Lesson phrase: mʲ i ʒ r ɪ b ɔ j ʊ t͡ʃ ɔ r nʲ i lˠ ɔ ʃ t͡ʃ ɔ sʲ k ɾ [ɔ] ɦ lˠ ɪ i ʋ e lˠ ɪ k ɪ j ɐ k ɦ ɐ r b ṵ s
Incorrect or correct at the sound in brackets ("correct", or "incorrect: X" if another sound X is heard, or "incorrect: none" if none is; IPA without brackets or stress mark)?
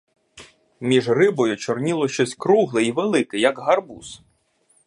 incorrect: u